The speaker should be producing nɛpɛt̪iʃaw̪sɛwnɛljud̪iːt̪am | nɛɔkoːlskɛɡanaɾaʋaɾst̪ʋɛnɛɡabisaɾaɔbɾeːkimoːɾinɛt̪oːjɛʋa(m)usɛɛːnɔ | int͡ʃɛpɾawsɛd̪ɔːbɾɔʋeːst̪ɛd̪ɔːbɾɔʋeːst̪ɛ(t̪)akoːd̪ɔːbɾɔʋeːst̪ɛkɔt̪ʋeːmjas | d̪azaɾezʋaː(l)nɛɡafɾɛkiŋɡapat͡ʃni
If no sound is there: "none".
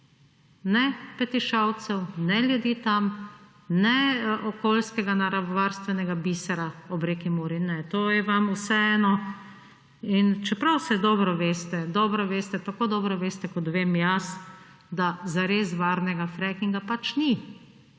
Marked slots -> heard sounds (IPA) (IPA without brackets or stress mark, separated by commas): m, t̪, ɾ